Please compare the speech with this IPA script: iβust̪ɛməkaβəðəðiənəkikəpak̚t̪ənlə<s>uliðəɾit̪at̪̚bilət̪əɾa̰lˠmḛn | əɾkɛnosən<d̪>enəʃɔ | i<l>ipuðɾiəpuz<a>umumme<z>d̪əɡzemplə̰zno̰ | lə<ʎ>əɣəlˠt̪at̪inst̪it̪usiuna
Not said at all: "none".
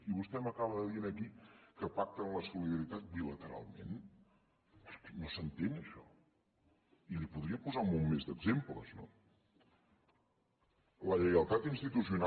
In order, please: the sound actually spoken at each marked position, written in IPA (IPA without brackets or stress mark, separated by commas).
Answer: s, t̪, l, a, z, ʎ